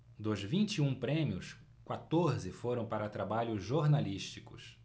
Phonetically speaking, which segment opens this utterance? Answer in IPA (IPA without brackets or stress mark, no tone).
d̪